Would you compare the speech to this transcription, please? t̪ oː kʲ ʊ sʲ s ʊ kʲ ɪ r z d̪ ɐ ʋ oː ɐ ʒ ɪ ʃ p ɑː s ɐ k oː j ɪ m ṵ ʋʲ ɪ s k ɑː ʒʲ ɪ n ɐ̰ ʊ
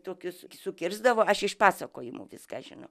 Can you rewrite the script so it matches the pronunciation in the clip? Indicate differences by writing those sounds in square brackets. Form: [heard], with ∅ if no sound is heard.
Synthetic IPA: t̪ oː kʲ ʊ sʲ s ʊ kʲ ɪ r z d̪ ɐ ʋ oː ɐ [ʃ] ɪ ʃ p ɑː s ɐ k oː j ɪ m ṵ ʋʲ ɪ s k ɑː ʒʲ ɪ n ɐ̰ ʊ